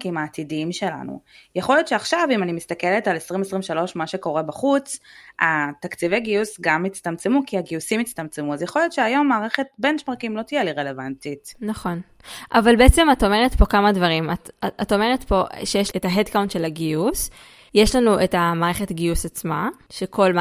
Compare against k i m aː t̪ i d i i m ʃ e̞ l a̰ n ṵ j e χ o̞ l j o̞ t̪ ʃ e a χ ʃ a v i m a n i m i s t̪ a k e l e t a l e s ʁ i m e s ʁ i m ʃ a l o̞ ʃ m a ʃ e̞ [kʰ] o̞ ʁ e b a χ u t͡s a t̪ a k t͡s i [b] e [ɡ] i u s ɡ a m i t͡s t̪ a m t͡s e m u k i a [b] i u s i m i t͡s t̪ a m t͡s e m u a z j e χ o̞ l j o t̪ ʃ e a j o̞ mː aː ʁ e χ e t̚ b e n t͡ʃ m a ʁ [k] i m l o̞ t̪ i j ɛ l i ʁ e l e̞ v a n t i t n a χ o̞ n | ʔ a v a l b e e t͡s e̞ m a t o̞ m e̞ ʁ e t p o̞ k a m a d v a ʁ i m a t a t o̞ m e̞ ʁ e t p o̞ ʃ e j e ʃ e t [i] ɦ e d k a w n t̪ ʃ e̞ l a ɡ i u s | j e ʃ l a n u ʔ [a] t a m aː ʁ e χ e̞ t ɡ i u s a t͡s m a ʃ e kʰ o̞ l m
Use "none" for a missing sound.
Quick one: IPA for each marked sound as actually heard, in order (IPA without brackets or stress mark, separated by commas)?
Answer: k, v, ɡ, ɡ, k, a, e